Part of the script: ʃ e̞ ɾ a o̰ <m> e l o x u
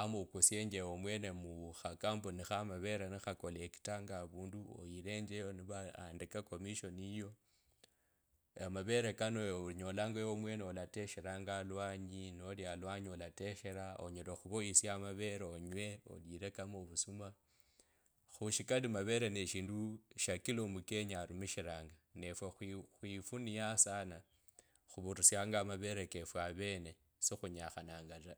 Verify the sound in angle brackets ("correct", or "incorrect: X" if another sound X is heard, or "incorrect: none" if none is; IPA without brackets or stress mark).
incorrect: ɲ